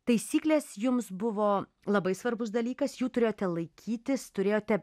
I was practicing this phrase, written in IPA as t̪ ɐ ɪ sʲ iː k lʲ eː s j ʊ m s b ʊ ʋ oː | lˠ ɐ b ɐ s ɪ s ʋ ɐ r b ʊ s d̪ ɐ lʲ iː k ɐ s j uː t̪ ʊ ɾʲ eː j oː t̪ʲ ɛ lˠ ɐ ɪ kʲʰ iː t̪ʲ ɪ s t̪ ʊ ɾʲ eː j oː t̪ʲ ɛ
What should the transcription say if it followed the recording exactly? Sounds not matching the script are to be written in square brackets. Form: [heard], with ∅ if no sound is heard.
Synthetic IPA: t̪ ɐ ɪ sʲ iː k lʲ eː s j ʊ m s b ʊ ʋ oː | lˠ ɐ b ɐ [∅] ɪ s ʋ ɐ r b ʊ s d̪ ɐ lʲ iː k ɐ s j uː t̪ ʊ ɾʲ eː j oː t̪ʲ ɛ lˠ ɐ ɪ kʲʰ iː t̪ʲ ɪ s t̪ ʊ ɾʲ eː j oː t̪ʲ ɛ